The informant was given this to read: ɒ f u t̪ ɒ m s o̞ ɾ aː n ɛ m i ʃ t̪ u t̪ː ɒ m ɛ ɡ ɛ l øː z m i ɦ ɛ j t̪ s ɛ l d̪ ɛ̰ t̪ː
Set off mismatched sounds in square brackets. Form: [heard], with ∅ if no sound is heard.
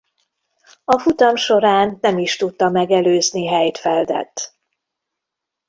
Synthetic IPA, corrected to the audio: ɒ f u t̪ ɒ m [ʃ] o̞ ɾ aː [nː] ɛ m i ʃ t̪ u t̪ː ɒ m ɛ ɡ ɛ l øː z [n] i ɦ ɛ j t̪ [f] ɛ l d̪ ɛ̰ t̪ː